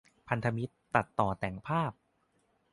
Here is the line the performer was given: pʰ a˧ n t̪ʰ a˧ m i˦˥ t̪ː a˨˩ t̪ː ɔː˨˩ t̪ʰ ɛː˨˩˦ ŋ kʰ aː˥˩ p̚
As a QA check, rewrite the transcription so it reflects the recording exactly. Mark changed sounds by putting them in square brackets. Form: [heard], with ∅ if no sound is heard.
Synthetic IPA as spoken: pʰ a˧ n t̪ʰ a˧ m i˦˥ t̪ː a˨˩ t̪ː ɔː˨˩ [t̪] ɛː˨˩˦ ŋ [pʰ] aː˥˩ p̚